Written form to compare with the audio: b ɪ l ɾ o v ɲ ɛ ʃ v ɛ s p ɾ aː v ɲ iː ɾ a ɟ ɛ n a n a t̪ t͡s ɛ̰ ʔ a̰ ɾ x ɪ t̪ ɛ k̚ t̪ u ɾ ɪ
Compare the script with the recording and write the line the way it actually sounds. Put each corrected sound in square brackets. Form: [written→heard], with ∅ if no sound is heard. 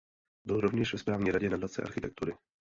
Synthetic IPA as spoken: b ɪ l ɾ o v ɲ ɛ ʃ v ɛ s p ɾ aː v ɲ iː ɾ a ɟ ɛ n a [n→d] a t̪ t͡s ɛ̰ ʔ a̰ ɾ x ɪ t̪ ɛ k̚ t̪ u ɾ ɪ